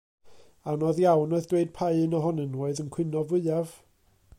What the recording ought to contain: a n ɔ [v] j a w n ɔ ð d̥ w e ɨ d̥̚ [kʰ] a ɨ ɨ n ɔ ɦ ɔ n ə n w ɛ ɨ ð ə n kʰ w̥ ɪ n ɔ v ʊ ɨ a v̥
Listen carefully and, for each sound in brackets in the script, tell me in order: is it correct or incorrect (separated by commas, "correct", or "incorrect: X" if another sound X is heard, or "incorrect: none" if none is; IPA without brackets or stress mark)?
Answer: incorrect: ð, incorrect: pʰ